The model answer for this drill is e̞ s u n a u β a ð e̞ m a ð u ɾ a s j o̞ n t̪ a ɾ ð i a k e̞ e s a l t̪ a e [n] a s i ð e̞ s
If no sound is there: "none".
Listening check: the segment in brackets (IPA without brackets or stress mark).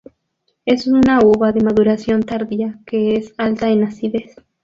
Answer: n